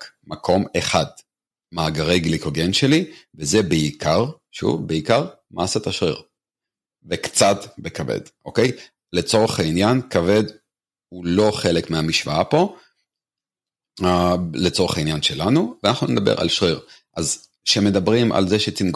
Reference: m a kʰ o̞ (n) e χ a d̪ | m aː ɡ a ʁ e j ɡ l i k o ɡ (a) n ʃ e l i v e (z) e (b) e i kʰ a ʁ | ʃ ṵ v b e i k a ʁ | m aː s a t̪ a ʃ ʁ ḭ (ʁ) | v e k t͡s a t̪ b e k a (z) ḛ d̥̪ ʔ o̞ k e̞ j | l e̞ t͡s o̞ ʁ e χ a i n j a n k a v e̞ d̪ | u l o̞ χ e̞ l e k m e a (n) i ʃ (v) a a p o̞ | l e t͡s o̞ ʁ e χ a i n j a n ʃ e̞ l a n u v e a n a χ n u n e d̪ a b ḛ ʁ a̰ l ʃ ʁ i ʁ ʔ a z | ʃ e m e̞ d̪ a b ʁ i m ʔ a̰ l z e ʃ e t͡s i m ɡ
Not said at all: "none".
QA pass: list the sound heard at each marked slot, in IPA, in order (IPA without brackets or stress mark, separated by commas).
m, e, z, b, ʁ, v, m, v